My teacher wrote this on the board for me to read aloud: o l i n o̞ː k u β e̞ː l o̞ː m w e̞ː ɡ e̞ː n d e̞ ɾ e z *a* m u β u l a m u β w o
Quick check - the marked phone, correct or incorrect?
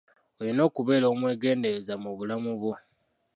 correct